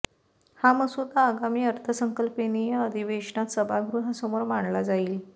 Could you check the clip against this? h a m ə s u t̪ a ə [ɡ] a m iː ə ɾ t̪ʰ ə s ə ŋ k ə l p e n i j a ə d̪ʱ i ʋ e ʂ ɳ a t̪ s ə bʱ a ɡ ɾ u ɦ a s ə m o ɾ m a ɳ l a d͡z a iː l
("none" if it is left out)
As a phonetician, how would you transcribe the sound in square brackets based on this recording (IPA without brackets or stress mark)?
ɡ